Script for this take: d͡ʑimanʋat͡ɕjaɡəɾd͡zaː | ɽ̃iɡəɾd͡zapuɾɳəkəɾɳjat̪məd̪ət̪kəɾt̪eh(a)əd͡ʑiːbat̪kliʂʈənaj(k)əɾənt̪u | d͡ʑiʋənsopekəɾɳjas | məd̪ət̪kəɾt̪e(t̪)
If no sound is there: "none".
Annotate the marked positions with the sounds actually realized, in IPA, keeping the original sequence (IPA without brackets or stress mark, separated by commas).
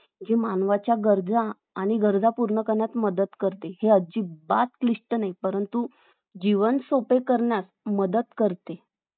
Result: e, p, none